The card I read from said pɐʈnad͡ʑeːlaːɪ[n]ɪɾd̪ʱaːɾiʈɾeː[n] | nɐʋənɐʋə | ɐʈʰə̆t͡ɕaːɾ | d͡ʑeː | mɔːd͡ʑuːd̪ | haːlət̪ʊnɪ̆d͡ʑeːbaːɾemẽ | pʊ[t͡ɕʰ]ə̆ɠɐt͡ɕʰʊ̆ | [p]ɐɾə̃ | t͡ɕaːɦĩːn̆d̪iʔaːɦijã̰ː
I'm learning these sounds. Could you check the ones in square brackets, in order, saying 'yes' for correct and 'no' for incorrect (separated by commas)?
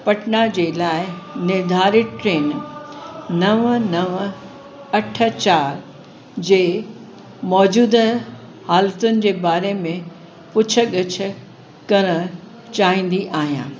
yes, yes, yes, no